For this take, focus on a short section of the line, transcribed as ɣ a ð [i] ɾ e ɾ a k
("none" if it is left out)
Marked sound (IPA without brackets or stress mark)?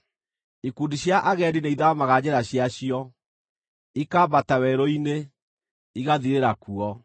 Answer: i